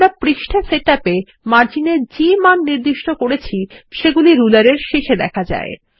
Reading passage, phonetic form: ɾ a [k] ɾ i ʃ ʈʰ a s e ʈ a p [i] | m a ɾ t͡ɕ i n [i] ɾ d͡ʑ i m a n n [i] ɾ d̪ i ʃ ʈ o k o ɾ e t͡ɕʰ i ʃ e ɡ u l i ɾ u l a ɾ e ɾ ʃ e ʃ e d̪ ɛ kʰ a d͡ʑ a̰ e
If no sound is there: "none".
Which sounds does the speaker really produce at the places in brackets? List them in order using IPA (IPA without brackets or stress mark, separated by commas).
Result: p, e, e, i